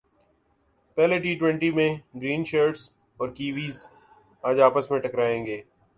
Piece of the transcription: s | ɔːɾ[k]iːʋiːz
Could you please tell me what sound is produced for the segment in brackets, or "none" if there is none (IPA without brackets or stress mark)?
k